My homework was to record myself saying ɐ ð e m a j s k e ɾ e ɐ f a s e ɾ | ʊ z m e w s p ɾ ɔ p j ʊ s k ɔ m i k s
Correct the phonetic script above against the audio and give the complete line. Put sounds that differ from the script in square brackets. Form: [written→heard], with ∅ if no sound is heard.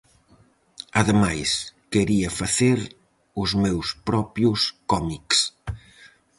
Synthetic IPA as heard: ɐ ð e m a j s k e ɾ [e→i] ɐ f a [s→θ] e ɾ | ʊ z m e w s p ɾ ɔ p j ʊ s k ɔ m i k s